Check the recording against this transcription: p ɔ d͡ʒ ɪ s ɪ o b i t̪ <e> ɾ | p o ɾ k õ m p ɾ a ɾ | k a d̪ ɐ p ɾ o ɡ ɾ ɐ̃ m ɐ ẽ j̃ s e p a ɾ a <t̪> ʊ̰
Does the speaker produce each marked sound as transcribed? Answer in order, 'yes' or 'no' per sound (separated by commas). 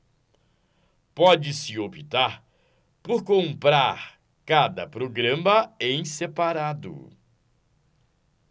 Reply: no, no